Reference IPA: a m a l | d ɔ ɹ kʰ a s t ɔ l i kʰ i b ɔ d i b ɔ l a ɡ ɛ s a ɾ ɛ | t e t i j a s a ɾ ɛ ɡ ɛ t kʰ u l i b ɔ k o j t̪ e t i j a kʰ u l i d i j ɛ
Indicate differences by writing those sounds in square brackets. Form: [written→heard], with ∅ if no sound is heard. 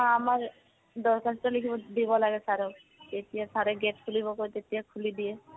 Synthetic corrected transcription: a m a [l→ɹ] | d ɔ ɹ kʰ a s t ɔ l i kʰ i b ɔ d i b ɔ l a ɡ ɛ s a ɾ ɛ | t e t i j a s a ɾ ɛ ɡ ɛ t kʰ u l i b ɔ k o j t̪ e t i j a kʰ u l i d i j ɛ